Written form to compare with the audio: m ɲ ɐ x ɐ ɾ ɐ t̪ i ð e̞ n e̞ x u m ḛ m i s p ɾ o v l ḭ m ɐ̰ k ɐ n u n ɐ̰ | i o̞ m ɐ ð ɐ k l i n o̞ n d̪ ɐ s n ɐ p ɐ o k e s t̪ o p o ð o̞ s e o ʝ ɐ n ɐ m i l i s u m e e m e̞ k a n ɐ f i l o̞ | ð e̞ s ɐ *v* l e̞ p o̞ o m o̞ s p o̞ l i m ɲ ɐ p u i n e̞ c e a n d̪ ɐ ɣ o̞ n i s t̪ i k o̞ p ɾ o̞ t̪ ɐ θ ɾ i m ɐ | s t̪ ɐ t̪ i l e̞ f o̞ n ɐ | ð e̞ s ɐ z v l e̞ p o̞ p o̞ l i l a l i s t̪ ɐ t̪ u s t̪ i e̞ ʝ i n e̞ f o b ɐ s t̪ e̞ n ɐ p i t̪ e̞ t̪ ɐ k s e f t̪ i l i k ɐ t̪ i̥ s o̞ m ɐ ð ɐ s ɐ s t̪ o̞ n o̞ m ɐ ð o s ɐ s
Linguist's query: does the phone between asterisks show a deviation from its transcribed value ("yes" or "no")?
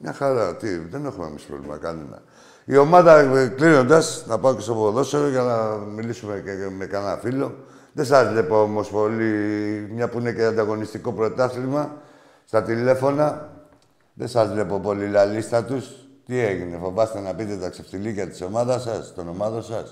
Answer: yes